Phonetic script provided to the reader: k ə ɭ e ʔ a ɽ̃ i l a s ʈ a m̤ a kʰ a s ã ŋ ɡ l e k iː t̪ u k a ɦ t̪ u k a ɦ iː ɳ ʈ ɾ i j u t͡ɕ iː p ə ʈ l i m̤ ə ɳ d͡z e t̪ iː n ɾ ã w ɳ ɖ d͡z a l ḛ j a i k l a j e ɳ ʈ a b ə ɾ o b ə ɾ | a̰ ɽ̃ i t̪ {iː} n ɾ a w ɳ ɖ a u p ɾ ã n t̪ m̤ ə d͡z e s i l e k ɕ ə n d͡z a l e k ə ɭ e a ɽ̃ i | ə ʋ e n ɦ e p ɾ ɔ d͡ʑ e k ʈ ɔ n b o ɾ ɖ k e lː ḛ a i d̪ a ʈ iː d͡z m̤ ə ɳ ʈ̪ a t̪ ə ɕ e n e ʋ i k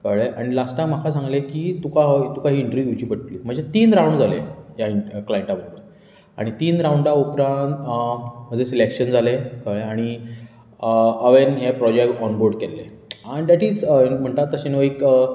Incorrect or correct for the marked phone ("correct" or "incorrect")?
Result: correct